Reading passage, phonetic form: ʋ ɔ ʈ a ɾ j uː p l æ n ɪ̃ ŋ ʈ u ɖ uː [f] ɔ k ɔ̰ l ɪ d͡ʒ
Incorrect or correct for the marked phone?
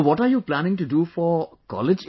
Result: correct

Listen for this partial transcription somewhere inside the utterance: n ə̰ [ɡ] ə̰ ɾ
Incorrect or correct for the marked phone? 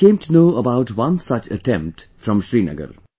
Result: correct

